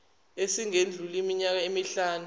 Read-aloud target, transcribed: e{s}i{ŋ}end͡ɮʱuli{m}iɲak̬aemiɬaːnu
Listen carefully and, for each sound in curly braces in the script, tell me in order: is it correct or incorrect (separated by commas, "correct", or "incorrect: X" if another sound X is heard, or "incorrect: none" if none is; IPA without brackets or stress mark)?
correct, correct, correct